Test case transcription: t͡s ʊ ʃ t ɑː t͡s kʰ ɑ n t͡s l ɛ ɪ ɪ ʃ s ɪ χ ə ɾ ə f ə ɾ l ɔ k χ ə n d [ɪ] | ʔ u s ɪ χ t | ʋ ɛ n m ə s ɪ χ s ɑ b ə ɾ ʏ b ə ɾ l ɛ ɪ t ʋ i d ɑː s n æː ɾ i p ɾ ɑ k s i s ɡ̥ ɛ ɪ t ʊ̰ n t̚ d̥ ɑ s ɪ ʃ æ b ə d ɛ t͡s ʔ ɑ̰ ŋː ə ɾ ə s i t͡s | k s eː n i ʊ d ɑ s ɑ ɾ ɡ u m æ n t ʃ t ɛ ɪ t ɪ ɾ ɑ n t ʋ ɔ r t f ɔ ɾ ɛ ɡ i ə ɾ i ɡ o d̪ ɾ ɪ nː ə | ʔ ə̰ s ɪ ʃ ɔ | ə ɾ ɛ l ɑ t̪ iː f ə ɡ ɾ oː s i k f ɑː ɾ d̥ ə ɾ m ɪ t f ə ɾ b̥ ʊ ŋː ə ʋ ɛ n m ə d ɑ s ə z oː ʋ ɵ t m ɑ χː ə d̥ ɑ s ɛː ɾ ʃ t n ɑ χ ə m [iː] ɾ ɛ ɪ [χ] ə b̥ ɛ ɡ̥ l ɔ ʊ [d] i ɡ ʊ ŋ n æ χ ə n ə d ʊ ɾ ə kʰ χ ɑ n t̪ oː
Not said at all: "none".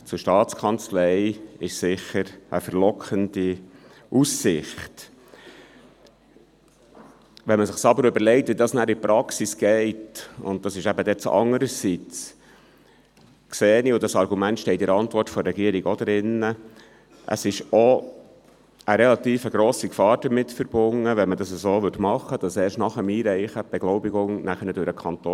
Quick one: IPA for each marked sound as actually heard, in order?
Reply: i, iː, χ, b

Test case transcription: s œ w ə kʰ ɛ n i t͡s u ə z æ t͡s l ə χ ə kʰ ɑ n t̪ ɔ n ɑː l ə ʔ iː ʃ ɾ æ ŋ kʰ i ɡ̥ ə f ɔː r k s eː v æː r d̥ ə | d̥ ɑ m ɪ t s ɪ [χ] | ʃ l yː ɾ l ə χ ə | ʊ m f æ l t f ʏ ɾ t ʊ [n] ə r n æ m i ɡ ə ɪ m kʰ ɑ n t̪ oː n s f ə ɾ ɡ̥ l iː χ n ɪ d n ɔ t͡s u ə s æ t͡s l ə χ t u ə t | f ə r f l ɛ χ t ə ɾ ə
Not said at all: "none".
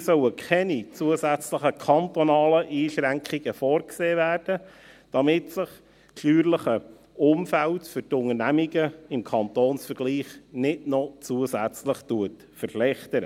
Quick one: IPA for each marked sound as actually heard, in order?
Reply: χ, ŋ

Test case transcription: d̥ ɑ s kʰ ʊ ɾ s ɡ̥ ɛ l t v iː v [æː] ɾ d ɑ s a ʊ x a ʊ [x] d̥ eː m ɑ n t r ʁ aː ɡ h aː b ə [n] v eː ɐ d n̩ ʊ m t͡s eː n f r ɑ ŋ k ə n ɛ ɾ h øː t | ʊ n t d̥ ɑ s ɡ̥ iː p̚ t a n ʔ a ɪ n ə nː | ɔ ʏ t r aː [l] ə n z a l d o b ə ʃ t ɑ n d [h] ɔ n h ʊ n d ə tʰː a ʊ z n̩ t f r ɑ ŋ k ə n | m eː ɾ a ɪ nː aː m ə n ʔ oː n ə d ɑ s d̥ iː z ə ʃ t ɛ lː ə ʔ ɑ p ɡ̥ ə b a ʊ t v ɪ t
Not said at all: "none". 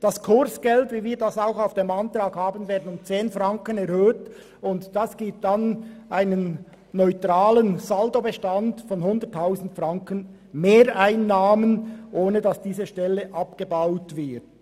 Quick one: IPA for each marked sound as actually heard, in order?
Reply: iː, f, n, l, f

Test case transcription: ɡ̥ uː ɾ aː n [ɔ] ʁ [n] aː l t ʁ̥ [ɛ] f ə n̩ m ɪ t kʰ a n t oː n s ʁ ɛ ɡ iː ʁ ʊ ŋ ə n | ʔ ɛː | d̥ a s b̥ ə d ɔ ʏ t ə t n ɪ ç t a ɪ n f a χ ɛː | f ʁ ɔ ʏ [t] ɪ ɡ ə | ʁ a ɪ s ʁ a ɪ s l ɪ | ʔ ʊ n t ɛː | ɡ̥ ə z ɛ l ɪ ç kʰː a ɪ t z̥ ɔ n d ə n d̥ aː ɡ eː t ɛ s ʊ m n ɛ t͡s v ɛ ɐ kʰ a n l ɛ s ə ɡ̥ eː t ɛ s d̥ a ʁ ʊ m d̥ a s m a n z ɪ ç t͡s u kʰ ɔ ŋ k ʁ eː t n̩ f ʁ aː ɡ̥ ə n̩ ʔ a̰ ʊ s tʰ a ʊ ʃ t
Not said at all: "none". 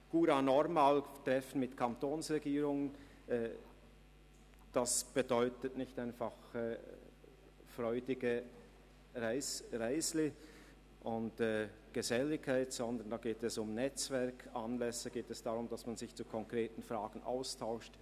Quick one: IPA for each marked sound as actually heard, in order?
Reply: ɔ, m, ɛ, d

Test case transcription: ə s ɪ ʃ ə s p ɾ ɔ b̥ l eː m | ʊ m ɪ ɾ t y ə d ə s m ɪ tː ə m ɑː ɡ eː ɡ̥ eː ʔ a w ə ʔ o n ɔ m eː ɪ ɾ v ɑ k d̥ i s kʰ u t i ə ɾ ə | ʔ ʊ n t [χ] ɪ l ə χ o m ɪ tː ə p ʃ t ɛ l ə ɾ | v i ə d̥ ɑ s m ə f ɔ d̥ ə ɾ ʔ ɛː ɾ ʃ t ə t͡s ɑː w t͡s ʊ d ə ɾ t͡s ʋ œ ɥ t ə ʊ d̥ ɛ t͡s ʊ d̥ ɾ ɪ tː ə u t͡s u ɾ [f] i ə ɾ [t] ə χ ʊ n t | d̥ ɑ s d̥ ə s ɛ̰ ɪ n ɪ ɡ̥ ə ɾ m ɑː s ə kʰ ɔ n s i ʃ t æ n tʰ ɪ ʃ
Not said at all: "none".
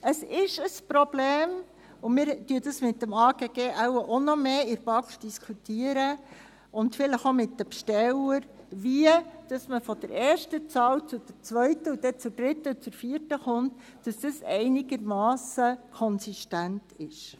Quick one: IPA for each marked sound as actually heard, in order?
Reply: f, f, t

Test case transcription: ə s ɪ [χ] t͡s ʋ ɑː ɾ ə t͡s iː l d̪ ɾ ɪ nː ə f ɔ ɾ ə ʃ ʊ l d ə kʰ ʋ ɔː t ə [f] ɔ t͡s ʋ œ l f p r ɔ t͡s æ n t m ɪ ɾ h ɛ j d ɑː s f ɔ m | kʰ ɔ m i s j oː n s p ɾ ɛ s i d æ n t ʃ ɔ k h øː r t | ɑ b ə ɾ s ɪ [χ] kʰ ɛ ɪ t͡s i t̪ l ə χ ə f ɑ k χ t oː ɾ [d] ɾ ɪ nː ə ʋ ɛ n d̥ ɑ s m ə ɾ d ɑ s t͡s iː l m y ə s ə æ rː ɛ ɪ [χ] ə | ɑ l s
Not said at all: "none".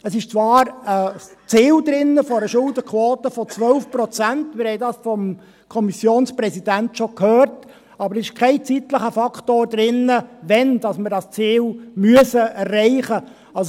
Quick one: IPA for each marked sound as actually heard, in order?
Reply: ʃ, f, ʃ, d, χ

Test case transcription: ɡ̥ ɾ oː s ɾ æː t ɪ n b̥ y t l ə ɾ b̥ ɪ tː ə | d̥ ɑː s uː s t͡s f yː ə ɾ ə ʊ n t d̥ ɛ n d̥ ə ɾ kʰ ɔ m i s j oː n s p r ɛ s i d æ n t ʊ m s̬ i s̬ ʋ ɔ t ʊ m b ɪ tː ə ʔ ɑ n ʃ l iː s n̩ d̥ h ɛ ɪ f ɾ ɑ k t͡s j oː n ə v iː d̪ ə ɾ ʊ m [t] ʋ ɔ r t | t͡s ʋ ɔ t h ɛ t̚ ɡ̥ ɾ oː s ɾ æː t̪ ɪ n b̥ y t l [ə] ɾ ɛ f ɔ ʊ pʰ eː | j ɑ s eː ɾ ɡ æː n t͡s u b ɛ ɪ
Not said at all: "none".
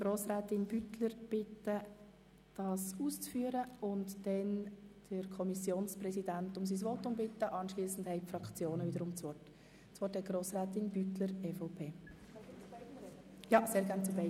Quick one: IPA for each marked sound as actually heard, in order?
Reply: t͡s, ə

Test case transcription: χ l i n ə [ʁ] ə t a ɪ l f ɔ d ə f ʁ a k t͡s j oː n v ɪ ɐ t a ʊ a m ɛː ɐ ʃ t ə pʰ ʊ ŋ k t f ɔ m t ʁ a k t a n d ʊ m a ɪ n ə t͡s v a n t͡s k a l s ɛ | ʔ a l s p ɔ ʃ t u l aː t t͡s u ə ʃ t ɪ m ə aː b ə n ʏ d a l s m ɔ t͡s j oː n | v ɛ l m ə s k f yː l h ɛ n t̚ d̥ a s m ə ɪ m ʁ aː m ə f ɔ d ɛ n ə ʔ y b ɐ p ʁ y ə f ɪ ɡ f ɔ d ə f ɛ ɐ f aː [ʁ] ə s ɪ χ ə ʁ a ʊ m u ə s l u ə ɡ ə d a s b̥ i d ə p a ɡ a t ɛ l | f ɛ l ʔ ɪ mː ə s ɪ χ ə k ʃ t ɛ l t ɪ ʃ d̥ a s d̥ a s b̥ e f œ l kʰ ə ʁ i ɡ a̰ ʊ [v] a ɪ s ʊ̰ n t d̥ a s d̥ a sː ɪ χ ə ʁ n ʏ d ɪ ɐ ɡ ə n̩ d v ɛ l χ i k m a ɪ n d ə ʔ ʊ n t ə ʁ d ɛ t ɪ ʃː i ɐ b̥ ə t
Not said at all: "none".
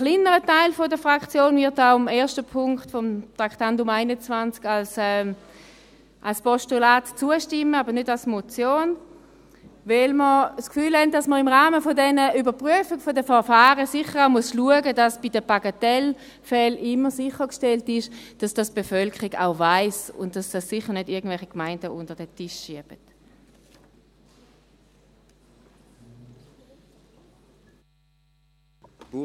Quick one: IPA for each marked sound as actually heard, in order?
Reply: ʁ, ʁ, v

